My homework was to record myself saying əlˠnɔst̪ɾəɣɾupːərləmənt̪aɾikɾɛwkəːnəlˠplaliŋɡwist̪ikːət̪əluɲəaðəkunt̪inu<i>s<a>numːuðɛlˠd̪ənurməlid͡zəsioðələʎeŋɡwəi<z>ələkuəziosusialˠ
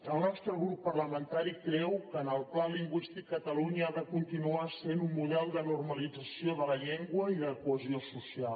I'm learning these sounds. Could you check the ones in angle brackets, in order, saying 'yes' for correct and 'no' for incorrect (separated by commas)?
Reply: no, no, no